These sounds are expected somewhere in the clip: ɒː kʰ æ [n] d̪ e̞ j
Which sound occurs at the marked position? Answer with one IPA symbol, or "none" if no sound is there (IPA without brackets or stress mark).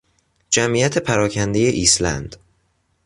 n